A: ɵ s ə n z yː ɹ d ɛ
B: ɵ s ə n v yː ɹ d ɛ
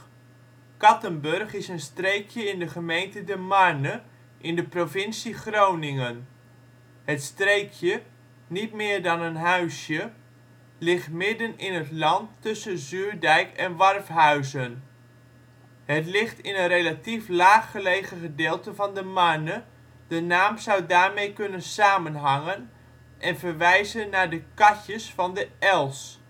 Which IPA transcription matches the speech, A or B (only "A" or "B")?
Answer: A